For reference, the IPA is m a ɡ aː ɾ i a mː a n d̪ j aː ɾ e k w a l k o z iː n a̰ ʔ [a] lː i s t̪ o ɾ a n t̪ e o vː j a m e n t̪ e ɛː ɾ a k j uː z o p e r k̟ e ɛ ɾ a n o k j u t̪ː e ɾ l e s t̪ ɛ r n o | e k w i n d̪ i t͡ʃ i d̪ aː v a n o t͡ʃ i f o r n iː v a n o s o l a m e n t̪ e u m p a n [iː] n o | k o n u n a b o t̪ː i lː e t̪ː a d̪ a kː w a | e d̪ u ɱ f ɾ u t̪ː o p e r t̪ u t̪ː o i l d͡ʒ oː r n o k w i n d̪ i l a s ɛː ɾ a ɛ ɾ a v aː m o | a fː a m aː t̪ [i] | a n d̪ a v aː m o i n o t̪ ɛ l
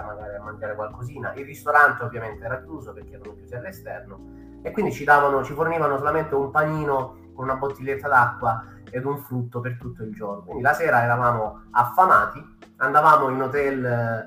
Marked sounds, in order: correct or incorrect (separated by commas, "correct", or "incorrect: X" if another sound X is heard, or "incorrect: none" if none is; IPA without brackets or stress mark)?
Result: incorrect: i, correct, correct